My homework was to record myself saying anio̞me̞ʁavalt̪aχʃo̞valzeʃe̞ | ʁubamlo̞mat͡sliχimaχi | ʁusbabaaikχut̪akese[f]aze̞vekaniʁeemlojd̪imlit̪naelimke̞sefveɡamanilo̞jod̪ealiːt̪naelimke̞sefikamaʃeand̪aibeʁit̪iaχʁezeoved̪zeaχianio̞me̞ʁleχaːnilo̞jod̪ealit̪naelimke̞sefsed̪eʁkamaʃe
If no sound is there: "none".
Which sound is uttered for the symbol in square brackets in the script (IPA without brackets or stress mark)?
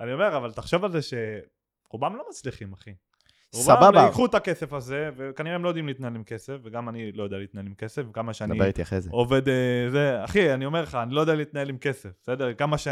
f